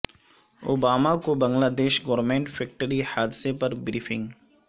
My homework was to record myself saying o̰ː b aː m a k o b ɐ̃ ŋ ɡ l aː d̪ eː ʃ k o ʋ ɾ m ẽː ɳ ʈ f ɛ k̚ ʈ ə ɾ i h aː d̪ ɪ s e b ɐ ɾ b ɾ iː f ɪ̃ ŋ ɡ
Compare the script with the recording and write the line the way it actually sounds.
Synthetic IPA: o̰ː b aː m a k o b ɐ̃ ŋ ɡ l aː d̪ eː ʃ ɡ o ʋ ɾ m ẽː ɳ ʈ f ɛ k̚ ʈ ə ɾ i h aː d̪ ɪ s e p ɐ ɾ b ɾ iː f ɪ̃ ŋ ɡ